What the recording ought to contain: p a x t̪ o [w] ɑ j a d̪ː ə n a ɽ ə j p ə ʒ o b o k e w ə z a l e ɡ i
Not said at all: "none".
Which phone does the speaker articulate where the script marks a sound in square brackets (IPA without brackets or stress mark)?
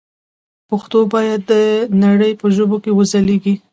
b